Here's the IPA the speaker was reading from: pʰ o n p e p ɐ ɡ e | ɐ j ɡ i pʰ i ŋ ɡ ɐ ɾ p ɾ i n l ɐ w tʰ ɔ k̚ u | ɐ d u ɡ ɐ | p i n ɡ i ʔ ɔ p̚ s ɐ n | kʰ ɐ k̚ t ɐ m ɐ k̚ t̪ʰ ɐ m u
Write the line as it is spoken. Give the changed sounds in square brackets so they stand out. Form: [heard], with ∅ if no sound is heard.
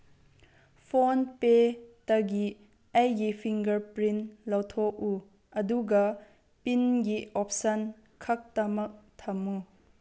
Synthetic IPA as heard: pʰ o n p e [t] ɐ ɡ [i] | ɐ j ɡ i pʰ i ŋ ɡ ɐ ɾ p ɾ i n l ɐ w tʰ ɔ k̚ u | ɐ d u ɡ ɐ | p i n ɡ i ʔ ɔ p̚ s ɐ n | kʰ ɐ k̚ t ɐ m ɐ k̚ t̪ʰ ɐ m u